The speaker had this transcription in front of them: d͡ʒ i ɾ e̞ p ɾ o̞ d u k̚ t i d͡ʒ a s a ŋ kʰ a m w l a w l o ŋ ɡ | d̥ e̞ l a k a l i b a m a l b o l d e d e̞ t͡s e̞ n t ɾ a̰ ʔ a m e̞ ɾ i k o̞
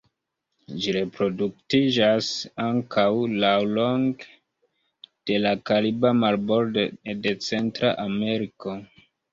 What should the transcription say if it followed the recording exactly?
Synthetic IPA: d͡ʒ i ɾ e̞ p ɾ o̞ d u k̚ t i d͡ʒ a s a ŋ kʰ a w l a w l o ŋ ɡ | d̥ e̞ l a k a l i b a m a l b o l d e d e̞ t͡s e̞ n t ɾ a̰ ʔ a m e̞ ɾ i k o̞